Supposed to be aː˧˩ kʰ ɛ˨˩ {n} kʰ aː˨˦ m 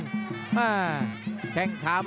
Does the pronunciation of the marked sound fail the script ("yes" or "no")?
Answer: yes